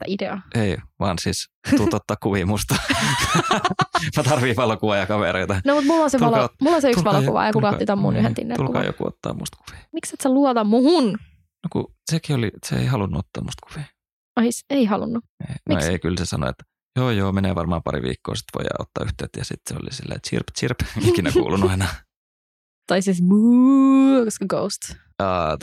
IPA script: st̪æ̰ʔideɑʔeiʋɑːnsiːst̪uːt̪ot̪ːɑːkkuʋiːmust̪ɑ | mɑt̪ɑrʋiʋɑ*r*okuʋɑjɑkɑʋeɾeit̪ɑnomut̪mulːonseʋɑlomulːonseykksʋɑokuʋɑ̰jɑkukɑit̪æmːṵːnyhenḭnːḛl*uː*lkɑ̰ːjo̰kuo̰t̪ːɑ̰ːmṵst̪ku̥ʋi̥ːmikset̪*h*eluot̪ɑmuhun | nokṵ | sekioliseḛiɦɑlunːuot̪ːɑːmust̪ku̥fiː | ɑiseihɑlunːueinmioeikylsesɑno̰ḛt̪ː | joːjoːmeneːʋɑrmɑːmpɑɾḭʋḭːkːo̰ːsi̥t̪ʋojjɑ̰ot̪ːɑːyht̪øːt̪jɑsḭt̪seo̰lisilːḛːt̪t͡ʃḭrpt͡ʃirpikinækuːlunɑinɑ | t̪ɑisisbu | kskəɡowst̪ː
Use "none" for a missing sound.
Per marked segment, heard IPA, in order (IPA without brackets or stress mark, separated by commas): l, u, s